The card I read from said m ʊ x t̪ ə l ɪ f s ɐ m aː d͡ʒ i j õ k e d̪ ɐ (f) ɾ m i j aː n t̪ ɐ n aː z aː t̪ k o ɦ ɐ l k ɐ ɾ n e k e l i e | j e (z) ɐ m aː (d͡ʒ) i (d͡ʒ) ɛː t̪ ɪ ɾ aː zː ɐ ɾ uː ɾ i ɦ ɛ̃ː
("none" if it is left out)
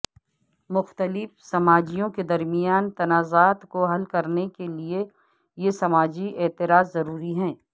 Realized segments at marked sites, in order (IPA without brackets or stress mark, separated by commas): none, s, d͡ʒ, none